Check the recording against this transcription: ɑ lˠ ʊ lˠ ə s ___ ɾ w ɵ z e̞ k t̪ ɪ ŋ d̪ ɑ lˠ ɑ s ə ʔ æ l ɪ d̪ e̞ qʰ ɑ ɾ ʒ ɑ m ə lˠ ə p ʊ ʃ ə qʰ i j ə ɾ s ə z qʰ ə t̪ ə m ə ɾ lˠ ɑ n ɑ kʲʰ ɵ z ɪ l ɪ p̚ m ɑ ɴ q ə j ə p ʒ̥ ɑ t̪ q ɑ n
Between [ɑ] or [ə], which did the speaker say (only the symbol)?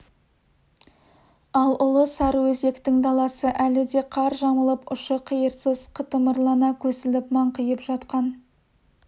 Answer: ɑ